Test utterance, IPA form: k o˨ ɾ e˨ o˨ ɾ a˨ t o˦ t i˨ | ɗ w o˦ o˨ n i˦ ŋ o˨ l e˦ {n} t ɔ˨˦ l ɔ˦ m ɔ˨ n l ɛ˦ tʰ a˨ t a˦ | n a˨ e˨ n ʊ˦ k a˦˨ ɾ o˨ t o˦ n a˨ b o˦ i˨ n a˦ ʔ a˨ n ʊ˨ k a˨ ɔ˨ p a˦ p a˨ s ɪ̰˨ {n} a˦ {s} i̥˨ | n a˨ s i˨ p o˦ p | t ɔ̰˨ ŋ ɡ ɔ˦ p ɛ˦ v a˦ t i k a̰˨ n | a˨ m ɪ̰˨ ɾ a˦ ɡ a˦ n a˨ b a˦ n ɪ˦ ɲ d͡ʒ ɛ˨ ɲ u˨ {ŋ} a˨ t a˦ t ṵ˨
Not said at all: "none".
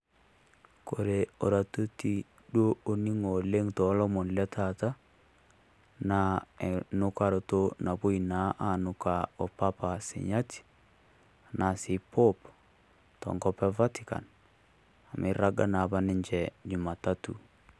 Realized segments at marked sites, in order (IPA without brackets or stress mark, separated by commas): ŋ, ɲ, t, m